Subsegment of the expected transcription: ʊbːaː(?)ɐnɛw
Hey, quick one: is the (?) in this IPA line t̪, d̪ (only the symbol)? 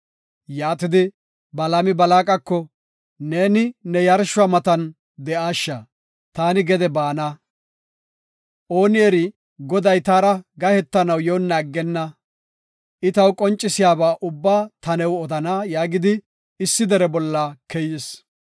t̪